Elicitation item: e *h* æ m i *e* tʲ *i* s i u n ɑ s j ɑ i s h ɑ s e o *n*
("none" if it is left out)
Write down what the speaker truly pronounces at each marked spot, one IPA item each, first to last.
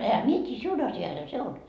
h, e, iː, n

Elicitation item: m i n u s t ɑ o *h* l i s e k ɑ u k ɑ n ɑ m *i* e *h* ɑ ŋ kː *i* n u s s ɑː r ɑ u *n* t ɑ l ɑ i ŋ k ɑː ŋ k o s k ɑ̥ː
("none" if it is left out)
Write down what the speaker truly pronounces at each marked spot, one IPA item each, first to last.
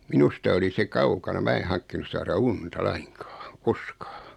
none, æ, h, i, n

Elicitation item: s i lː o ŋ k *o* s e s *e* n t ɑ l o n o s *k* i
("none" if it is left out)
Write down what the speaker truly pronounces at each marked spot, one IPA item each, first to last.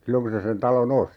u, e, t

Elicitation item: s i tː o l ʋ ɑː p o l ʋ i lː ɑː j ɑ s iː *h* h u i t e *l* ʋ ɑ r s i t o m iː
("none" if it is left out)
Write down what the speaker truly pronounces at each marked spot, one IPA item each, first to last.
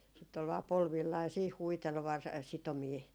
h, l

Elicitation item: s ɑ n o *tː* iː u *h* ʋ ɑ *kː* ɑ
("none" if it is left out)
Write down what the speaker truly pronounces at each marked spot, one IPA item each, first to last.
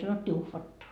tː, h, tː

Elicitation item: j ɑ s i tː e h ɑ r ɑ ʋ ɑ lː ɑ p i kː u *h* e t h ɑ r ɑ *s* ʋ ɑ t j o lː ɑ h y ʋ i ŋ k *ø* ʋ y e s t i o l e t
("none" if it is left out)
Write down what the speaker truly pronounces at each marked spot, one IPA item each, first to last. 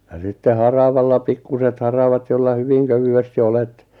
s, none, ø

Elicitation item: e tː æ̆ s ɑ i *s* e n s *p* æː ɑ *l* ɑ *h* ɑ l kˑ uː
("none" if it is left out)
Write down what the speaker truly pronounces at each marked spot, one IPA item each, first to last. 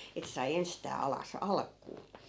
none, t, l, s

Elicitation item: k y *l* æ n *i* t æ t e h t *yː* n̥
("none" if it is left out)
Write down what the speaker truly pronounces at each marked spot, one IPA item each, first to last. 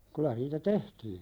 l, iː, iː

